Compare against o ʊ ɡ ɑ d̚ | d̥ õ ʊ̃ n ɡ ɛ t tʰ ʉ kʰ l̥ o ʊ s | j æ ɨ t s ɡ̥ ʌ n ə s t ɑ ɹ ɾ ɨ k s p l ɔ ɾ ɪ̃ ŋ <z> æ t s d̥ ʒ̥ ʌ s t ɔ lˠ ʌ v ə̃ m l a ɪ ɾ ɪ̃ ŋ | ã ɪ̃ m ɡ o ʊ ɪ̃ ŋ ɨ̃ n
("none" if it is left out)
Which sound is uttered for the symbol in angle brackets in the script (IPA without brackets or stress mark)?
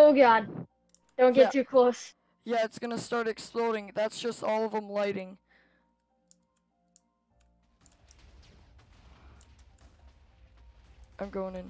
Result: ð